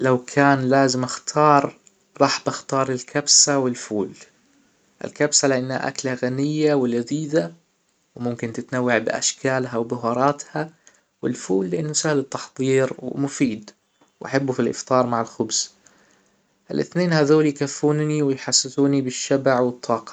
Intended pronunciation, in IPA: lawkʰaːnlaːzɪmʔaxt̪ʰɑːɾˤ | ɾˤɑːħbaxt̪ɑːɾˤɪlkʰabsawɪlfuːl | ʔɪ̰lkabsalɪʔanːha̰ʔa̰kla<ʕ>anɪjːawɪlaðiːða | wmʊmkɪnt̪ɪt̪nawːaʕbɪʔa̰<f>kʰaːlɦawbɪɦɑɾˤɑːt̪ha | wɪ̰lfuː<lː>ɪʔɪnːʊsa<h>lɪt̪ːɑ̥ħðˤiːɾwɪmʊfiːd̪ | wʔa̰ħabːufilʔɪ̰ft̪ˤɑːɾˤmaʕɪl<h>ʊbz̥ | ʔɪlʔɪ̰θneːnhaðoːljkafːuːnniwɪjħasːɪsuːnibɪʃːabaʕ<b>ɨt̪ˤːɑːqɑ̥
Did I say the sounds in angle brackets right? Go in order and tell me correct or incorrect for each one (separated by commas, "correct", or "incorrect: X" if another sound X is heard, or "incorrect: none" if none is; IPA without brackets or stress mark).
incorrect: ɣ, incorrect: ʃ, correct, correct, incorrect: x, incorrect: w